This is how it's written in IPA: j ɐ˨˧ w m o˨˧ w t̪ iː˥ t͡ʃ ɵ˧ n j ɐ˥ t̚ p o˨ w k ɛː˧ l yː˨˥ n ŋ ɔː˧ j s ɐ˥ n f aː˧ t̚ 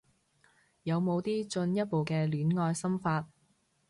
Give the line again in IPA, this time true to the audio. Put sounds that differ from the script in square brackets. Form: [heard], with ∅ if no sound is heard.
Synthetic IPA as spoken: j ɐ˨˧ w m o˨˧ w t̪ iː˥ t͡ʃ ɵ˧ n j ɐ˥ t̚ p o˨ w k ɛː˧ l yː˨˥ n ŋ ɔː˧ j s ɐ˥ [m] f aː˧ t̚